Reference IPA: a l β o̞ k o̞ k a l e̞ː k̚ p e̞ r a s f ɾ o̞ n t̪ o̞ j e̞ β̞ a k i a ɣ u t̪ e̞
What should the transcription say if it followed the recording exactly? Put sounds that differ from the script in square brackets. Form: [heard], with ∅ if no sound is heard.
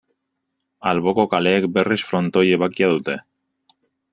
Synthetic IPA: a l β o̞ k o̞ k a l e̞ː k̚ [b] e̞ r [i] s f ɾ o̞ n t̪ o̞ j e̞ β̞ a k i a [ð] u t̪ e̞